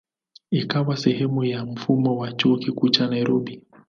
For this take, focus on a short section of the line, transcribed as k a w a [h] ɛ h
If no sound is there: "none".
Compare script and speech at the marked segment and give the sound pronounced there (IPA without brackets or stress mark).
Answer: s